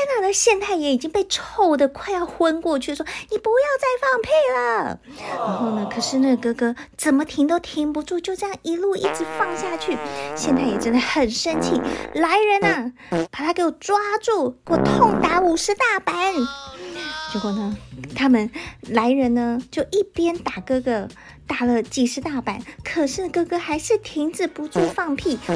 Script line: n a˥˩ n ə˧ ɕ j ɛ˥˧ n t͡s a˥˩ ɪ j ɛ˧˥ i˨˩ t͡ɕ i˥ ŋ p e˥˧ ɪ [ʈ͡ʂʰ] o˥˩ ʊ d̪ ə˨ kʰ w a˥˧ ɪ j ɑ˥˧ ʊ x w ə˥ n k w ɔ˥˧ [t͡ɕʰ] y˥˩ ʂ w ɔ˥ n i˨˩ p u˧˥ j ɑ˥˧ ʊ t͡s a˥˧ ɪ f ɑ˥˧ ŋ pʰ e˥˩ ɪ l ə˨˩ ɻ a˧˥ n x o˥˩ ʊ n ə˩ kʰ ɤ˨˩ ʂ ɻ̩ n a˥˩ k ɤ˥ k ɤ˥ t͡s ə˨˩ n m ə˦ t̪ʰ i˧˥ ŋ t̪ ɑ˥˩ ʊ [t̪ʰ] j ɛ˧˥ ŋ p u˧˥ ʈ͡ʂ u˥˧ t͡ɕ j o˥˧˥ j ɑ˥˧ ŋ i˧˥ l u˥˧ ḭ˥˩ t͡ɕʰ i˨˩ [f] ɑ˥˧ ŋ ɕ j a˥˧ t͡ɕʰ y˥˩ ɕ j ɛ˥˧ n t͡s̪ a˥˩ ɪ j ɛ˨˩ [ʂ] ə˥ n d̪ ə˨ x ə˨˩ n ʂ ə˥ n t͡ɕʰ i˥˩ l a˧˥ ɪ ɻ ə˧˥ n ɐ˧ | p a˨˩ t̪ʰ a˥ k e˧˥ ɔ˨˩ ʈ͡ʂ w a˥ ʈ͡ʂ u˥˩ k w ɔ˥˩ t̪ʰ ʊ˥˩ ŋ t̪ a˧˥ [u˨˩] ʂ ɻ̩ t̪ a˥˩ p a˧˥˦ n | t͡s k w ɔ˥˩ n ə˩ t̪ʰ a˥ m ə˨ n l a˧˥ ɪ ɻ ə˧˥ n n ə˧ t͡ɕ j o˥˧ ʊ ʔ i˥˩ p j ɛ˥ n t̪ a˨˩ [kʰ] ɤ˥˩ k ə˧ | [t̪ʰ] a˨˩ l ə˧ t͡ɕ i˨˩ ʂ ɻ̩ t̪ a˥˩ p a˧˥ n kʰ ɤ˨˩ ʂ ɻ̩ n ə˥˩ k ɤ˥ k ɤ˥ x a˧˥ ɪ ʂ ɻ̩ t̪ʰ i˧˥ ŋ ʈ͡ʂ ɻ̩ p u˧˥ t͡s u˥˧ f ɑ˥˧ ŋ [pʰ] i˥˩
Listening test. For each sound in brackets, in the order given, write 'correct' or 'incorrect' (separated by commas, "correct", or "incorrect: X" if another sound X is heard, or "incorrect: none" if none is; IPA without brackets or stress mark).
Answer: correct, correct, correct, correct, incorrect: ʈ͡ʂ, correct, incorrect: k, incorrect: t̪, correct